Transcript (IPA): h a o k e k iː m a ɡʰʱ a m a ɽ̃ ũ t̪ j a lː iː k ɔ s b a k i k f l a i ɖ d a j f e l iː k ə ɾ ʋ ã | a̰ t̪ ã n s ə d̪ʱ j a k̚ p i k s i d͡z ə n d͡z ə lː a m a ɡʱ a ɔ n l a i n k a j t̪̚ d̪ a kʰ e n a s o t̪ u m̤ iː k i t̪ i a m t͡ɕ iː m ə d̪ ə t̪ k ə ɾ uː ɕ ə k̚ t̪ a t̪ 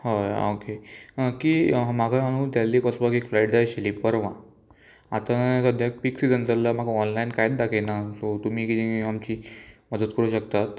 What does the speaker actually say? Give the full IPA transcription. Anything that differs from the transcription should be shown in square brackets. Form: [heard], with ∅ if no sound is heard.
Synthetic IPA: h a o k e k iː m a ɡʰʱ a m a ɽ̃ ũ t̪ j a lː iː k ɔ s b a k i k f l a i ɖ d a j [ɕ] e l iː [p] ə ɾ ʋ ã | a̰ t̪ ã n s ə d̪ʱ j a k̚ p i k s i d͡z ə n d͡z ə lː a m a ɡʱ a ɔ n l a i n k a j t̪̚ d̪ a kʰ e n a s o t̪ u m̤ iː k i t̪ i a m t͡ɕ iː m ə d̪ ə t̪ k ə ɾ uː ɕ ə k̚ t̪ a t̪